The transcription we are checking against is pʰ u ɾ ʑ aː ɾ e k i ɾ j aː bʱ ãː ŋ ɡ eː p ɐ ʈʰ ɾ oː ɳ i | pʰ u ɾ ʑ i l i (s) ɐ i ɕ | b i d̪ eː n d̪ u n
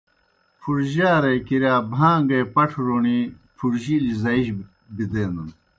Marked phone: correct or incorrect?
incorrect